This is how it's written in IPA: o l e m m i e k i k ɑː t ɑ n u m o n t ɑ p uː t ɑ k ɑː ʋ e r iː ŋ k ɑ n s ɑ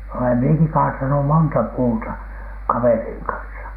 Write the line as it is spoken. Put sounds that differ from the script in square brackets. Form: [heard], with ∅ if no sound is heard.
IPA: o l e m m i e k i k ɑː t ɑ n u m o n t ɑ p uː t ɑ k [ɑ] ʋ e r iː ŋ k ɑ n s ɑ